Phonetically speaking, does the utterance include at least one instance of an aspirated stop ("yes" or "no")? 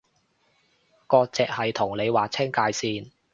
yes